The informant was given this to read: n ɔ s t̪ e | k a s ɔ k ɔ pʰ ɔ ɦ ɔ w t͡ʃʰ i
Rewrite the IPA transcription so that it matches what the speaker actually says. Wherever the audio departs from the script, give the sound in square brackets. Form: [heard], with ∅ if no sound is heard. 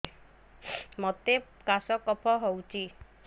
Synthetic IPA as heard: [m] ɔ [∅] t̪ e | k a s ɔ k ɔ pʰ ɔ ɦ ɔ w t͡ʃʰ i